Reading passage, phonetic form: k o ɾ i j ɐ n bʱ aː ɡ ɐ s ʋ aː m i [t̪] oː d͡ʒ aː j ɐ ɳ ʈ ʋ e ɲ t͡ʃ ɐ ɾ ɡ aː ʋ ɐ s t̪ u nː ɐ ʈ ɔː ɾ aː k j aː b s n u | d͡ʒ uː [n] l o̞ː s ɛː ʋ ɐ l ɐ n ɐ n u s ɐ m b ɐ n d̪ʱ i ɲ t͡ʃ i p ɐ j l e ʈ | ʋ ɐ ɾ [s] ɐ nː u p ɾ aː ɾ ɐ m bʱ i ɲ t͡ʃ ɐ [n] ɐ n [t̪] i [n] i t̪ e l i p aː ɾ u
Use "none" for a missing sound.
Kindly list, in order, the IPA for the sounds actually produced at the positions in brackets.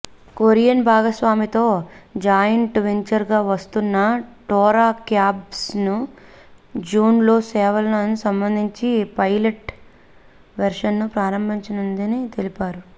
t̪, n, ʂ, n, d̪, n

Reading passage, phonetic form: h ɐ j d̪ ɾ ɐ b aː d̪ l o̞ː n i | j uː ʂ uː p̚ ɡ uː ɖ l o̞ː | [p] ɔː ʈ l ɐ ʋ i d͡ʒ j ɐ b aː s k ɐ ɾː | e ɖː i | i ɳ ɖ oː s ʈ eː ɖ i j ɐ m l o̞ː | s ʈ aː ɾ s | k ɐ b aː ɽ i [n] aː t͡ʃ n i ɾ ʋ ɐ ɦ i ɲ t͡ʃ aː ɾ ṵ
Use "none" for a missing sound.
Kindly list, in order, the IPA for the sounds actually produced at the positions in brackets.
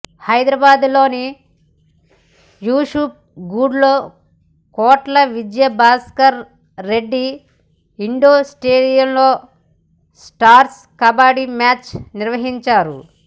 k, m

